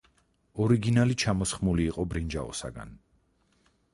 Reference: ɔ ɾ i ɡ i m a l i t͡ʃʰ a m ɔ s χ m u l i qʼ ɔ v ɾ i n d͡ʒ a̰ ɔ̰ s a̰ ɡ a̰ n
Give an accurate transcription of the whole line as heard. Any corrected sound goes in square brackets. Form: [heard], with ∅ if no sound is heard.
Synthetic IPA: ɔ ɾ i ɡ i [n] a l i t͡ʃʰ a m ɔ s χ m u l [iː] qʼ ɔ [b] ɾ i n d͡ʒ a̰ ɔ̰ s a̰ ɡ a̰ n